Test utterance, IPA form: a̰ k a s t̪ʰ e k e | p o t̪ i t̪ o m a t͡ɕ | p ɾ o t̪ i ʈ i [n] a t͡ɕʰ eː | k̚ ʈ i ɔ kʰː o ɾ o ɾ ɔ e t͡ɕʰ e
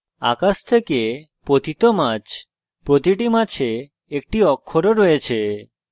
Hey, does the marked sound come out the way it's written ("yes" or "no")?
no